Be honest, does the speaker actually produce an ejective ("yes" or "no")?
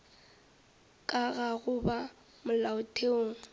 yes